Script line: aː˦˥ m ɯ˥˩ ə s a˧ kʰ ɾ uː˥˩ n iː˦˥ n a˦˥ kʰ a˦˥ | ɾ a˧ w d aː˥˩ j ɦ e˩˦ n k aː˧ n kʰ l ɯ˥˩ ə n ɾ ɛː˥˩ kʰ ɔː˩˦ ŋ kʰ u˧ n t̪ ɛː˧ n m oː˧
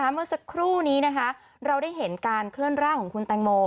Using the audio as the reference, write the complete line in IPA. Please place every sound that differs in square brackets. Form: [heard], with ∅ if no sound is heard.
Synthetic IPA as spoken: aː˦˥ m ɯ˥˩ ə s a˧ kʰ ɾ uː˥˩ n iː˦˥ n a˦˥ kʰ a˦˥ | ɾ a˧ w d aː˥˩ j ɦ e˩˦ n k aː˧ n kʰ l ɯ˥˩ ə n ɾ [aː˥˩] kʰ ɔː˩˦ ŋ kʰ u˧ n t̪ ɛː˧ [ŋ] m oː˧

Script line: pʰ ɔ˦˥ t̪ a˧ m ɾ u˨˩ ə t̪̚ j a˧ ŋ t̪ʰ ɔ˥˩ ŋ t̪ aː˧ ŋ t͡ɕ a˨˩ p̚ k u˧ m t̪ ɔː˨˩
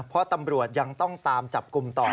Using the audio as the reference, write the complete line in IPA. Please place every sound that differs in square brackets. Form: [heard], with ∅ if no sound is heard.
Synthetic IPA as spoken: pʰ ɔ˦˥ t̪ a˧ m ɾ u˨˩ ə t̪̚ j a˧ ŋ [t̪] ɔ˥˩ ŋ t̪ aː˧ [m] t͡ɕ a˨˩ p̚ k u˧ m t̪ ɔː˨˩

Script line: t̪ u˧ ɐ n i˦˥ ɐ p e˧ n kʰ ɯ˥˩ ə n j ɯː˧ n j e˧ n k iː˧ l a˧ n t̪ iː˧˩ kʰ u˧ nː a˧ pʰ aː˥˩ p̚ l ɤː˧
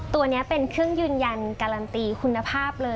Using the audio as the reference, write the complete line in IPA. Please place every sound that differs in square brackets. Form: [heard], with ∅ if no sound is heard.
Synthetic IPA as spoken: t̪ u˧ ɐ n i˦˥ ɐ p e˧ n kʰ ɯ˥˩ ə [ŋ] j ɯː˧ n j [a˧] n k [aː˧] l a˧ n t̪ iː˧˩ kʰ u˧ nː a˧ pʰ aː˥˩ p̚ l ɤː˧

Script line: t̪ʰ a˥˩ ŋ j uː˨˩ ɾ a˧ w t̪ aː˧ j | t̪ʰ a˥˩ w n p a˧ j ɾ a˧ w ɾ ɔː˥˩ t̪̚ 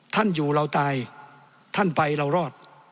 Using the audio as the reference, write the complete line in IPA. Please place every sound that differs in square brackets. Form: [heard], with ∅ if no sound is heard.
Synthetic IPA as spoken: t̪ʰ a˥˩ [n] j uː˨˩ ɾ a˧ w t̪ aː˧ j | t̪ʰ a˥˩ [∅] n p a˧ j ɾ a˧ w ɾ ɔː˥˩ t̪̚

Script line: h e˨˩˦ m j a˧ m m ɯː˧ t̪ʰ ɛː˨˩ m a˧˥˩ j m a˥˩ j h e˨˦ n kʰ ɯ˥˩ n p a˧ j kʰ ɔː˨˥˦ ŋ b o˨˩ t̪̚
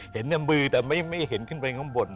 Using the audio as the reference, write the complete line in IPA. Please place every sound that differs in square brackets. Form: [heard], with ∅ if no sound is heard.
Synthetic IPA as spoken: h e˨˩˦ [n] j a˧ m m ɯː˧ [t̪] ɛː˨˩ m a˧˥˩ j m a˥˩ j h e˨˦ n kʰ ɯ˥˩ n p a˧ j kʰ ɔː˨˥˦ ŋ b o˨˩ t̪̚

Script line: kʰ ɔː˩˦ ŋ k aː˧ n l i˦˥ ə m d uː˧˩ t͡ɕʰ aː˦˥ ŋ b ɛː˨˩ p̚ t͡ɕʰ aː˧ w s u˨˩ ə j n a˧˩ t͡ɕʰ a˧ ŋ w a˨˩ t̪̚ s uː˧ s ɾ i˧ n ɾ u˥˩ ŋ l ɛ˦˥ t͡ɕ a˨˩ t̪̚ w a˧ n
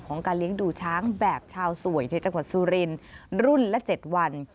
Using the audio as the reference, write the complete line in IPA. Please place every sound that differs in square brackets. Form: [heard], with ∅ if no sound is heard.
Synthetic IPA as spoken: kʰ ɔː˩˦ ŋ k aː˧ n l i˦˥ ə [ŋ] d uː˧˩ t͡ɕʰ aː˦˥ ŋ b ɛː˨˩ p̚ t͡ɕʰ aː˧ w s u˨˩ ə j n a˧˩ [t͡ɕ] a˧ ŋ w a˨˩ t̪̚ s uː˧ [∅] ɾ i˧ n ɾ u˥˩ [n] l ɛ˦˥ t͡ɕ [e˨˩] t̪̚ w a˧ n

